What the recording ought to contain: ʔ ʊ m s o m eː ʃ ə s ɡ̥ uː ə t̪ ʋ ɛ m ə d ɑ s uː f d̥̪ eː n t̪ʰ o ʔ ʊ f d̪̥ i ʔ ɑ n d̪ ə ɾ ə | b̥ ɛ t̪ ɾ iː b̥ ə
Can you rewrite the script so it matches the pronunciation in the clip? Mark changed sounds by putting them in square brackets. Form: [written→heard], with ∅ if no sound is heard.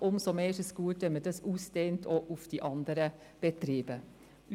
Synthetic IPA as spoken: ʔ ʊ m s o m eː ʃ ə s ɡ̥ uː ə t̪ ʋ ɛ m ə d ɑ s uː [f→s] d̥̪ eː n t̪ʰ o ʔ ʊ f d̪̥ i ʔ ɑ n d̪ ə ɾ ə | b̥ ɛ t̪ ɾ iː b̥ ə